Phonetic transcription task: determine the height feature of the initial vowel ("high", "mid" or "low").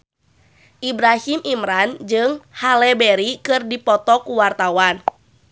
high